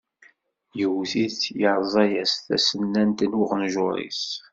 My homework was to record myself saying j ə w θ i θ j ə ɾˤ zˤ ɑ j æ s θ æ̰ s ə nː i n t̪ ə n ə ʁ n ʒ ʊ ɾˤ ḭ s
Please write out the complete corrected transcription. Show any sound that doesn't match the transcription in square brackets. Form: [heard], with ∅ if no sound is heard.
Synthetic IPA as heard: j ə w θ i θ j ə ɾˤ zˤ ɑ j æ s θ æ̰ s ə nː [æ] n t̪ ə n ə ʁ n ʒ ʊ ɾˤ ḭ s